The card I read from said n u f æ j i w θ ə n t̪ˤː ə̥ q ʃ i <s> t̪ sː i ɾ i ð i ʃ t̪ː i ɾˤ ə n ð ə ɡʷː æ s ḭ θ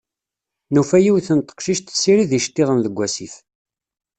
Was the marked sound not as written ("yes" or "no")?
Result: yes